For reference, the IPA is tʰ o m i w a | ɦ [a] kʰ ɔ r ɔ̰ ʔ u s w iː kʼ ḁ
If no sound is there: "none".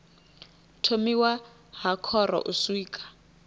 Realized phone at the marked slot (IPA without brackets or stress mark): a